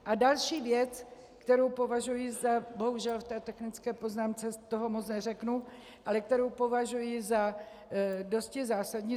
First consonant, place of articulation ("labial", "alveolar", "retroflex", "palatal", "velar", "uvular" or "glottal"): glottal